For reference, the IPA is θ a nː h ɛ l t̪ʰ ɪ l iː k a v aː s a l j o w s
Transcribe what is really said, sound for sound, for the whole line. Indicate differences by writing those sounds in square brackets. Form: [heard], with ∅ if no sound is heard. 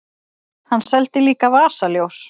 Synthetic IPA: [h] a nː [s] ɛ l [t̪] ɪ l iː k a v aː s a l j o w s